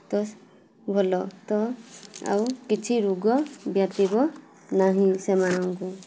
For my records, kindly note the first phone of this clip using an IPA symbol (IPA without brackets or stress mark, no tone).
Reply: t̪